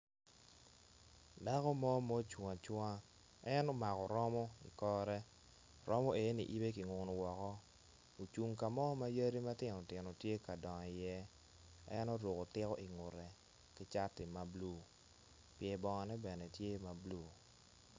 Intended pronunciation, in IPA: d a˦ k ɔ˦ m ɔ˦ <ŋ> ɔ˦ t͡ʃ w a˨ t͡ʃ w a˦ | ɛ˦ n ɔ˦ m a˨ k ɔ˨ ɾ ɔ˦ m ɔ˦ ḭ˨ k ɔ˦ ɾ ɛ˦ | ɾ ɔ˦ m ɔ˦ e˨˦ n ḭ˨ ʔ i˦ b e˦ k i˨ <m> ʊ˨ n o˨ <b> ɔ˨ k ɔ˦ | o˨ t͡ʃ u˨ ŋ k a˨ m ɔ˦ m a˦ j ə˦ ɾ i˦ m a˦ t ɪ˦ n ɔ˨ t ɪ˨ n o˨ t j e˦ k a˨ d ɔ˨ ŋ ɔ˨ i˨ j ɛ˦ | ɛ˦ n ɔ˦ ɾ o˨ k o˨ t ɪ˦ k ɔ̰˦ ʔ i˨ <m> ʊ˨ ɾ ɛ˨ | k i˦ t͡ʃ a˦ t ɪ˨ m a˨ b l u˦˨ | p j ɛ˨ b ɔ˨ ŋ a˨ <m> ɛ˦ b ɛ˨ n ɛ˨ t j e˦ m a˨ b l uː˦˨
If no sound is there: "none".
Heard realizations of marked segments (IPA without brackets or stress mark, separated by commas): m, ŋ, w, ŋ, n